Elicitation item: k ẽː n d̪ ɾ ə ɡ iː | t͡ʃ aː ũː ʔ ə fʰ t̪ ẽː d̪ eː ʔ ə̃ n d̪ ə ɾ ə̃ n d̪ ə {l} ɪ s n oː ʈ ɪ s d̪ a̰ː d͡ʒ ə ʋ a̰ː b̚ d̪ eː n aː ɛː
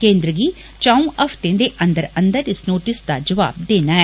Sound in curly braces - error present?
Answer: yes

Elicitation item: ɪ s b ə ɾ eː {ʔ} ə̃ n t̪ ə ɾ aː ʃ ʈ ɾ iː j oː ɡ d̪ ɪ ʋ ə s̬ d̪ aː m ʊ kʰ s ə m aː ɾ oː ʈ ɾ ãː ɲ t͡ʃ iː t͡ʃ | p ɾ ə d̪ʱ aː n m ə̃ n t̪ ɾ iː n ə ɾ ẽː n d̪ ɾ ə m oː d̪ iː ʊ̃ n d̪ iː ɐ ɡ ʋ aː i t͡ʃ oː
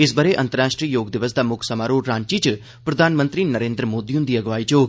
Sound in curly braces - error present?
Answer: no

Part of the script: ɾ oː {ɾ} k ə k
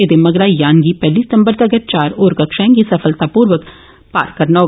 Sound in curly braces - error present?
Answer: no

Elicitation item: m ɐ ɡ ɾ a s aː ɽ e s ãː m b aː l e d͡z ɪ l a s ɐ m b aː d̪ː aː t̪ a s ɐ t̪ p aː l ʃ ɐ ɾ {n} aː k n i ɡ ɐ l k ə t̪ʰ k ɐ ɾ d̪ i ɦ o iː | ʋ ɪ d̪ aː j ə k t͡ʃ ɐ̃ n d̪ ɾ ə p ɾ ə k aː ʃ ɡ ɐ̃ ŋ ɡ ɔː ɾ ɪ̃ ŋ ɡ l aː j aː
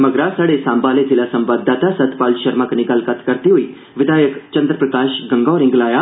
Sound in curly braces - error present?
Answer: yes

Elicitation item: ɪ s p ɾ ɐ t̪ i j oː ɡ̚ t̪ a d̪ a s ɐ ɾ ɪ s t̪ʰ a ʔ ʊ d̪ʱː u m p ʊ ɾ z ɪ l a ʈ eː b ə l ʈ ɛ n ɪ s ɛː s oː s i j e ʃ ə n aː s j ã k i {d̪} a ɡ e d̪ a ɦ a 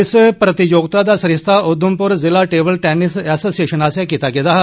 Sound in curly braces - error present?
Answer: yes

